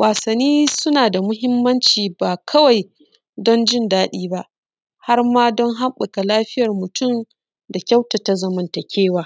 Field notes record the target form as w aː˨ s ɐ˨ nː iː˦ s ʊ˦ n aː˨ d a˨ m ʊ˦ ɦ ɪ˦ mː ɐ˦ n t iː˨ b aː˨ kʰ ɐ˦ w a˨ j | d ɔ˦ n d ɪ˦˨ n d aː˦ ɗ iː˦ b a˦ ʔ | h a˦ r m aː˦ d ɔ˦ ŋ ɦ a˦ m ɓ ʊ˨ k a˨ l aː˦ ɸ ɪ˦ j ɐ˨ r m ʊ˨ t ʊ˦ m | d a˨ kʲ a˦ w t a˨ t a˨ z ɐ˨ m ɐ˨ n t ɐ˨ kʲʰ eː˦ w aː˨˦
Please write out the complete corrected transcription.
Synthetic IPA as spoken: w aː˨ s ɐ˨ nː iː˦ s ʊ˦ n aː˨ d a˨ m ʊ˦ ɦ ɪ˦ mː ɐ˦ n t͡ʃ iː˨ b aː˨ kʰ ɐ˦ w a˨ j | d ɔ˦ n d͡ʒ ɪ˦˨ n d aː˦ ɗ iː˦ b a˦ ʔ | h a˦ r m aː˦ d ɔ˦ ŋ ɦ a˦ m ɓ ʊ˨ k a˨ l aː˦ ɸ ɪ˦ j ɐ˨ r m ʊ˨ t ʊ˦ m | d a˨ kʲ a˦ w t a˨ t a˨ z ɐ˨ m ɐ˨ n t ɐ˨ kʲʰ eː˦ w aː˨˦

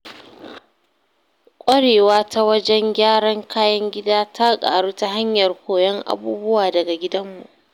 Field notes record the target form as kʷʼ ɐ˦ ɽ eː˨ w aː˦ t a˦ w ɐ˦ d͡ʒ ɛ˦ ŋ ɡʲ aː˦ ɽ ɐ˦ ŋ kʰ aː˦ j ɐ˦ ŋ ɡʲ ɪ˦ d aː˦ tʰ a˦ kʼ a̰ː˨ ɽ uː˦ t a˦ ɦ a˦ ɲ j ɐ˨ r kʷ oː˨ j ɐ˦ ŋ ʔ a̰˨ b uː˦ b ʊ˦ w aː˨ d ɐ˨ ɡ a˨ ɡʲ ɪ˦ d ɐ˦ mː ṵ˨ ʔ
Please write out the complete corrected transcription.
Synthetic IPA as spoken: kʷʼ ɐ˦ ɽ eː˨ w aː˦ t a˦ w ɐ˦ d͡ʒ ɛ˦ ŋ ɡʲ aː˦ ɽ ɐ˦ ŋ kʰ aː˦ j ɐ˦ ŋ ɡʲ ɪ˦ d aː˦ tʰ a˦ kʼ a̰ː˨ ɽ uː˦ t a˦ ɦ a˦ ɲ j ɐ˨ r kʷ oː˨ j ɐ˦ ŋ ʔ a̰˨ b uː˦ b ʊ˦ w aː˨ d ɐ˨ ɡ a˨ ɡʲ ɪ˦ d ɐ˦ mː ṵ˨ ʔ

